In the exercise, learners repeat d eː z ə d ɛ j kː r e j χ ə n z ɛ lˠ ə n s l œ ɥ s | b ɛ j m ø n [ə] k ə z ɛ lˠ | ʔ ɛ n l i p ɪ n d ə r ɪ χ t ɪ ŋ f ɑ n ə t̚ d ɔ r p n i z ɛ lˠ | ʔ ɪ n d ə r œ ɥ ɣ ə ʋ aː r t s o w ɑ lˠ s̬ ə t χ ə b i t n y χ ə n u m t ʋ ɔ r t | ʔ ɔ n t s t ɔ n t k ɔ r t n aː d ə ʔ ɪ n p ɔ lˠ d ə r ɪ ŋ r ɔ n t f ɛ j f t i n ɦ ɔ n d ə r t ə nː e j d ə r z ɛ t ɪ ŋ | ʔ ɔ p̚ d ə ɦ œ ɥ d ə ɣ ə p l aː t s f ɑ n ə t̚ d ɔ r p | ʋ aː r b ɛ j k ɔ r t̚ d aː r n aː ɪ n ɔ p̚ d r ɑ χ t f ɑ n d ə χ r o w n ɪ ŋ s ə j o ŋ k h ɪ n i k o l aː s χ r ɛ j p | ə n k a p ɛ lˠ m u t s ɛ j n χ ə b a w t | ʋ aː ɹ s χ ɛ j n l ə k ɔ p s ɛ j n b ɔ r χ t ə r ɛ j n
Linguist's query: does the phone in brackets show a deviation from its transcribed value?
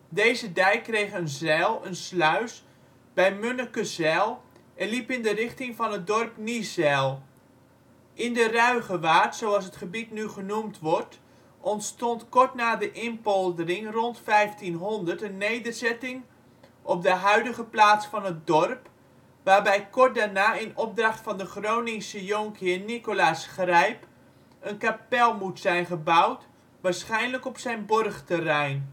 no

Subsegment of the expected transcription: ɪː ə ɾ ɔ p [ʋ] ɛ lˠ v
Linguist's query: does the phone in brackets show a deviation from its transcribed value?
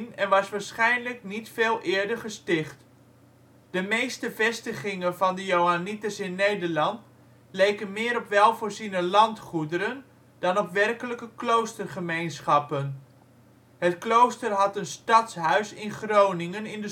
no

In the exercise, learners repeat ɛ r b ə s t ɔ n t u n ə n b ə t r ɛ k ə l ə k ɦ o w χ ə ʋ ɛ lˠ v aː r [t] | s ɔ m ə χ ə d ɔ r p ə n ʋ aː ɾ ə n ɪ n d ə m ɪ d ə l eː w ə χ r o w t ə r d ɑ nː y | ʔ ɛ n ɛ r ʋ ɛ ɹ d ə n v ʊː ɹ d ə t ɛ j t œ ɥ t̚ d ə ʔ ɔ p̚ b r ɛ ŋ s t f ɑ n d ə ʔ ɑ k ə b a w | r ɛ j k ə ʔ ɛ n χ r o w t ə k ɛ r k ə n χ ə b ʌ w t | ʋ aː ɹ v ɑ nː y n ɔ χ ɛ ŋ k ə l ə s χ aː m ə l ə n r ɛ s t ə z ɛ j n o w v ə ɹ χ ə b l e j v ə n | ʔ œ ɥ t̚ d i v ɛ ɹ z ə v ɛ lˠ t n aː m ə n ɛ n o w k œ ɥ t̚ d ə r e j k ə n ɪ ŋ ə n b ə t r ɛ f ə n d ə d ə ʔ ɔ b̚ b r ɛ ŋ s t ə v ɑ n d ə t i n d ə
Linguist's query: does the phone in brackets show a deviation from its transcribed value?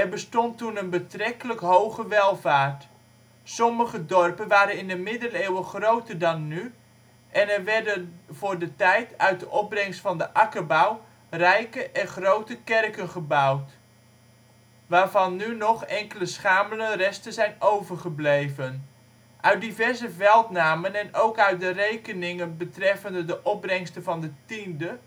no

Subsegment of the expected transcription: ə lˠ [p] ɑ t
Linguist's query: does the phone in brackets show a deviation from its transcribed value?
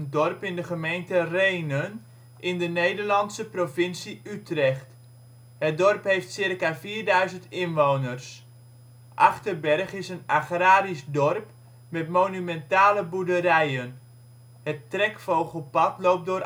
no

